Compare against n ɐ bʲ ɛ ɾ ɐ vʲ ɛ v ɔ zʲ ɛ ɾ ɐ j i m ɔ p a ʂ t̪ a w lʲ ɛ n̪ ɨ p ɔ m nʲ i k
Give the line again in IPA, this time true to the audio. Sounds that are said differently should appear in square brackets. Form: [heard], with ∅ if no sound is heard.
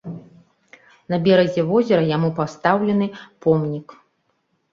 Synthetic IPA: n ɐ bʲ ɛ ɾ ɐ [zʲ] ɛ v ɔ zʲ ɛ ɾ ɐ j [a] m [u] p a [s] t̪ a w lʲ ɛ n̪ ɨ p ɔ m nʲ i k